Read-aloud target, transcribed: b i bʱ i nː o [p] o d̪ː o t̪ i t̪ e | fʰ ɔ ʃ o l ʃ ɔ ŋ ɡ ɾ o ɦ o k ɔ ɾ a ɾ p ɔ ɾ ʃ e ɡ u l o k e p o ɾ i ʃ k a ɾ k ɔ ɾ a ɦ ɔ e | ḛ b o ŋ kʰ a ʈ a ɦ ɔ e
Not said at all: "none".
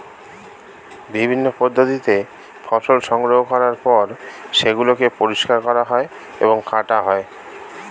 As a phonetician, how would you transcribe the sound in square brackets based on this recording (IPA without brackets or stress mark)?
p